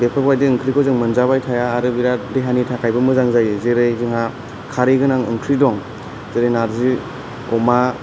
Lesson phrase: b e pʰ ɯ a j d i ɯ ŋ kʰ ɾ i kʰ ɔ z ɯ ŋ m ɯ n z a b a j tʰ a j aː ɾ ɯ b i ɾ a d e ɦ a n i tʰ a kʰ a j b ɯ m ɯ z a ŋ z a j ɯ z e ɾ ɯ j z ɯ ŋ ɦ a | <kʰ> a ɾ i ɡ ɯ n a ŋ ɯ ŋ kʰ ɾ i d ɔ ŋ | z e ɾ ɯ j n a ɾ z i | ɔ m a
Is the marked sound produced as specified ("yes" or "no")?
yes